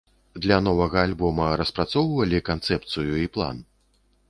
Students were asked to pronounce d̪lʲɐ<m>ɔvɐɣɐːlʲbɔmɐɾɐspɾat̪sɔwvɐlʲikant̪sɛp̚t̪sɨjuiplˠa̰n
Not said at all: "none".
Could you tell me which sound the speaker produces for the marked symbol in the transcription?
n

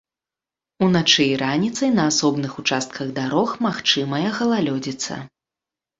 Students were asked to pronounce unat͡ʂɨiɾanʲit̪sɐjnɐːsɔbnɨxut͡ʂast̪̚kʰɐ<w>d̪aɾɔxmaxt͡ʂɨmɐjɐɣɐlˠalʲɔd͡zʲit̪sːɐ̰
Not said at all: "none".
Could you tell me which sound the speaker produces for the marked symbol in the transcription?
ɣ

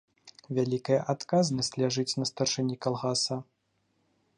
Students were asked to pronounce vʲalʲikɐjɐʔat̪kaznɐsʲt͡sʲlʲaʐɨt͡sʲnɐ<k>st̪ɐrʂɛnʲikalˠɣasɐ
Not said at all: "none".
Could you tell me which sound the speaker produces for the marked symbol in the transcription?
none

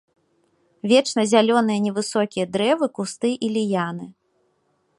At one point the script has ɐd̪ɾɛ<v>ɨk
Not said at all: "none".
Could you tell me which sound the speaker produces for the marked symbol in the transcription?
v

